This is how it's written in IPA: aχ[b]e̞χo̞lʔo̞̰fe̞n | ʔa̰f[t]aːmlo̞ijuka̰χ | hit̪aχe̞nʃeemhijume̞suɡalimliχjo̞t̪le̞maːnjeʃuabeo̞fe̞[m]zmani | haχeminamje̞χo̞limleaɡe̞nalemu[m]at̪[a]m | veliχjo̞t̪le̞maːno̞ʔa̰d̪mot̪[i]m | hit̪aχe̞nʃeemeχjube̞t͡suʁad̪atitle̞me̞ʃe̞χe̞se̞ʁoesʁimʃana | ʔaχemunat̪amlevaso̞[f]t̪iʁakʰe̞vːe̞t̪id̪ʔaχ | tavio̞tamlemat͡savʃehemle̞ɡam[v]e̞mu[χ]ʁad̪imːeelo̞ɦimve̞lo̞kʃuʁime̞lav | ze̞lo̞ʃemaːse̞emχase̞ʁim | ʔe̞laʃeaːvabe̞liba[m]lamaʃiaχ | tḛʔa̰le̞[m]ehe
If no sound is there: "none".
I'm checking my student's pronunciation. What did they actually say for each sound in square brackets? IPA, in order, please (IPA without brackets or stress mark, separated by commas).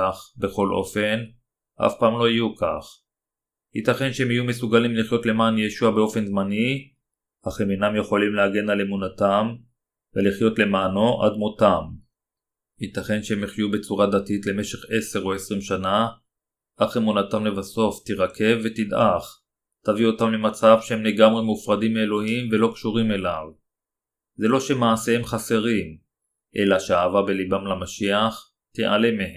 b, p, n, n, a, a, f, ʁ, f, m, m